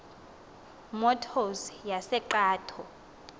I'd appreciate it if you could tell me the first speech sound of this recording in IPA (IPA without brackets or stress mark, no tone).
m